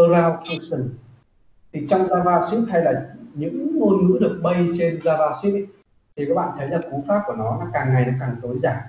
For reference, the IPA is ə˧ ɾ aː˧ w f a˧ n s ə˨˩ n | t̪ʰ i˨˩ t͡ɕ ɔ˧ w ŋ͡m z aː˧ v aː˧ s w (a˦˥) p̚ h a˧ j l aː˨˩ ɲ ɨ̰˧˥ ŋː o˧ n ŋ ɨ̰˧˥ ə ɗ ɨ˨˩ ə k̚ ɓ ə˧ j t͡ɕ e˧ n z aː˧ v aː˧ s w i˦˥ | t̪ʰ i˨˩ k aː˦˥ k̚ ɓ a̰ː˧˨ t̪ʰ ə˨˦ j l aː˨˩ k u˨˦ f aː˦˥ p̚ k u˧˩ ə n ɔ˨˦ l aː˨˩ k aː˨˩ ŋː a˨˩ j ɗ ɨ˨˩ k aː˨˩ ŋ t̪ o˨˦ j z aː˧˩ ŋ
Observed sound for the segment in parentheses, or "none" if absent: i˦˥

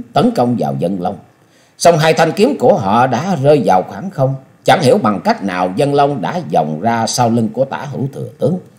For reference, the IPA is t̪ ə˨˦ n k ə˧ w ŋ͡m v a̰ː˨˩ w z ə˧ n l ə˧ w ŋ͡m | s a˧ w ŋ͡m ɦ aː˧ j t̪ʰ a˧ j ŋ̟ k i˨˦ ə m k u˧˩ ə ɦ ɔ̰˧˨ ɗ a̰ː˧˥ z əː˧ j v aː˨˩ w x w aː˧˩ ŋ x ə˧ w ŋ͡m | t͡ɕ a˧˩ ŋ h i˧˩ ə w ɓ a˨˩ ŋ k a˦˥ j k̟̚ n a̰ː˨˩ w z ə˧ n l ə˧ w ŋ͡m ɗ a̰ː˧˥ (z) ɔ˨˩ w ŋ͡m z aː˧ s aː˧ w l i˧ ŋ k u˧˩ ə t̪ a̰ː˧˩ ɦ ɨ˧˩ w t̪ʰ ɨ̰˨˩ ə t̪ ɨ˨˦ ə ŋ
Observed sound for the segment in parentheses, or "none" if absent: z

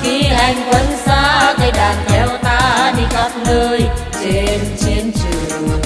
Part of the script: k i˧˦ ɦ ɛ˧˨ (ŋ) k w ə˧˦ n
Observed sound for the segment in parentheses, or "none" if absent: ŋ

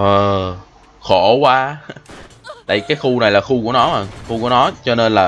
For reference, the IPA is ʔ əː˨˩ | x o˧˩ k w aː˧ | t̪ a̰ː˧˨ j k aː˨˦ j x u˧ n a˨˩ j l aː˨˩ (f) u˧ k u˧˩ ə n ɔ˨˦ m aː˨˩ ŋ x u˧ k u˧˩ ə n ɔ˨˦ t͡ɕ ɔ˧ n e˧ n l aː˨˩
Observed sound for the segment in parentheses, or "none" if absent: x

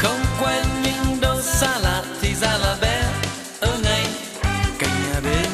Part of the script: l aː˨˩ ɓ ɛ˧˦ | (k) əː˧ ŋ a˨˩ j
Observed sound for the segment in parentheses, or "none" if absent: ʔ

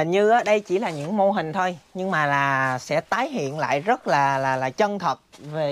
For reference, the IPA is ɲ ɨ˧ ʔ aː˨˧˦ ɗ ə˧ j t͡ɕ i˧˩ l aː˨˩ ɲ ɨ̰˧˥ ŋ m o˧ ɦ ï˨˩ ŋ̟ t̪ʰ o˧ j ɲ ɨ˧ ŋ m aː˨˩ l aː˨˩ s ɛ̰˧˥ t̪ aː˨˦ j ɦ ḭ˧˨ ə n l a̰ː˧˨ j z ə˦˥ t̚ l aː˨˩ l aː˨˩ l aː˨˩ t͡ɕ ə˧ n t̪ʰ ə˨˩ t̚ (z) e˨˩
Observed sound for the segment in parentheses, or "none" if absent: v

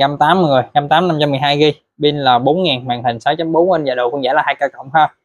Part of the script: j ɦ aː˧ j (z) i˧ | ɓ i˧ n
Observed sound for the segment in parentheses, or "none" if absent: ɣ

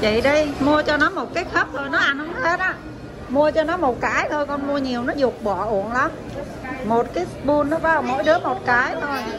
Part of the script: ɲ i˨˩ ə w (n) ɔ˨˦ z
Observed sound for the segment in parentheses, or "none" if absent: n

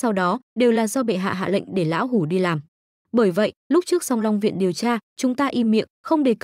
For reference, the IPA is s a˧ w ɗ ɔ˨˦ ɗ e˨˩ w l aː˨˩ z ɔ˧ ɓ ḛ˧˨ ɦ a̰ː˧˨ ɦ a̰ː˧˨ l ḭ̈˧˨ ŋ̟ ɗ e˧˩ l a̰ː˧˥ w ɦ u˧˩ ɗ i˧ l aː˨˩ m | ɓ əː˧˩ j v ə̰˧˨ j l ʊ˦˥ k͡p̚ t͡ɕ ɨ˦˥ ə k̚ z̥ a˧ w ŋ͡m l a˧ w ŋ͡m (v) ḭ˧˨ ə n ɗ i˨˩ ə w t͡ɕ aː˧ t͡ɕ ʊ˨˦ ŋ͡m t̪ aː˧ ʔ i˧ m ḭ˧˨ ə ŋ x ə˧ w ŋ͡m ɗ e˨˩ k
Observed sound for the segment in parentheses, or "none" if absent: v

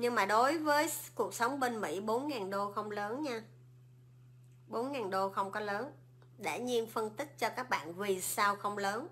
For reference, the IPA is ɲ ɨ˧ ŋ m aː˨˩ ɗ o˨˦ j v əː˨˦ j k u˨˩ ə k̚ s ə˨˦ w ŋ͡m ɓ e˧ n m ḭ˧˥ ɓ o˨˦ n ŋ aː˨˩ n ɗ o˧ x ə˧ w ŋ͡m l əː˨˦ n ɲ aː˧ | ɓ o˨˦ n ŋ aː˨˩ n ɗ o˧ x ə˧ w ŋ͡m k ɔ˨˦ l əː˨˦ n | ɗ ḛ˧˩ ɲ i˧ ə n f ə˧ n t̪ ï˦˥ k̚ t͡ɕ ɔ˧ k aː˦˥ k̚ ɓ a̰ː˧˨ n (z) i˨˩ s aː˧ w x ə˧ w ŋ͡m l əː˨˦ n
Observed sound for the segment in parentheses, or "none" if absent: v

